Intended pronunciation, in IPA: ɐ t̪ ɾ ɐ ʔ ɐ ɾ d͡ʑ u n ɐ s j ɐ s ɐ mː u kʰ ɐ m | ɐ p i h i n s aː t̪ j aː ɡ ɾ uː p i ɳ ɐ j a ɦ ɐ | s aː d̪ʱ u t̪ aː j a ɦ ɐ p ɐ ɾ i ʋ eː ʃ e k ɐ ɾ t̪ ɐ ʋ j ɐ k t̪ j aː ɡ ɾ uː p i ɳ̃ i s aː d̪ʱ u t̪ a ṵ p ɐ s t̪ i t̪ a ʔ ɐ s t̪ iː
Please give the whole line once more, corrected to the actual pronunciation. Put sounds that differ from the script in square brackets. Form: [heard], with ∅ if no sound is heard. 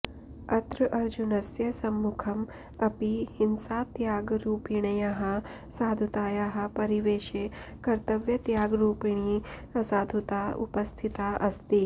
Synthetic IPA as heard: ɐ t̪ ɾ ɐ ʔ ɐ ɾ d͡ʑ u n ɐ s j ɐ s ɐ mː u kʰ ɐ m | ɐ p i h i n s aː t̪ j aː ɡ ɾ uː p i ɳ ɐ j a ɦ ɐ | s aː d̪ʱ u t̪ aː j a ɦ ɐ p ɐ ɾ i ʋ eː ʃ e k ɐ ɾ t̪ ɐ ʋ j ɐ [∅] t̪ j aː ɡ ɾ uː p i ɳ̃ i s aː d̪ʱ u t̪ a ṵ p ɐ s [t̪ʰ] i t̪ a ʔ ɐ s t̪ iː